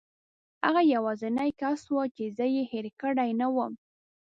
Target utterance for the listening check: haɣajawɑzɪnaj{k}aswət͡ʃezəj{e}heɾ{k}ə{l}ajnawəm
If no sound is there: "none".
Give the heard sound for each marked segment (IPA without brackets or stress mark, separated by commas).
k, e, k, ɽ